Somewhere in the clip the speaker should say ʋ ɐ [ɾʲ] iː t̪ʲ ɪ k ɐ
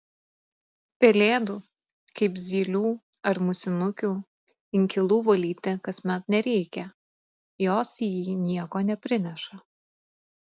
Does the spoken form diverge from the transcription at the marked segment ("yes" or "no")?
yes